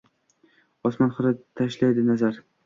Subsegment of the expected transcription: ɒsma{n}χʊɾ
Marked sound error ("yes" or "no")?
no